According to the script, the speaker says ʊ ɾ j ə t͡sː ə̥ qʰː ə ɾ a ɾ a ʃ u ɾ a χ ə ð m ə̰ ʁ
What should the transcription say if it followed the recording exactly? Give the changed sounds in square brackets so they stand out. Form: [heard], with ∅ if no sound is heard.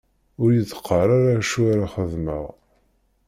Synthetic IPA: ʊ ɾ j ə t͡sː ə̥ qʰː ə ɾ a ɾ a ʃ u ɾ a χ ə ð m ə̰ ʁ